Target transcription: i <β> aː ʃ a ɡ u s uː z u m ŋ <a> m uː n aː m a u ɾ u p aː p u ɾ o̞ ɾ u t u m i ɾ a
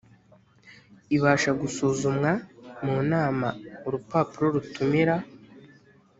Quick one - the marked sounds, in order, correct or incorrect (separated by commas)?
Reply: correct, correct